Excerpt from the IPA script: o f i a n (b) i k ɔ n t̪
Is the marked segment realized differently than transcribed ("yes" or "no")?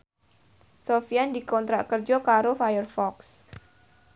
yes